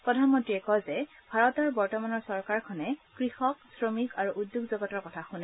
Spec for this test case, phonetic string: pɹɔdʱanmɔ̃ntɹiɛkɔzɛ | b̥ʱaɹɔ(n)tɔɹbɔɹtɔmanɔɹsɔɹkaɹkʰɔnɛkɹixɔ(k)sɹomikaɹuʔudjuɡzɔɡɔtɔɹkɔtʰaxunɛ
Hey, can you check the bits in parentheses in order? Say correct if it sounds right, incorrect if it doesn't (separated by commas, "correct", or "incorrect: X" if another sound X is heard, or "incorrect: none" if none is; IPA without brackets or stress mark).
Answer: incorrect: none, correct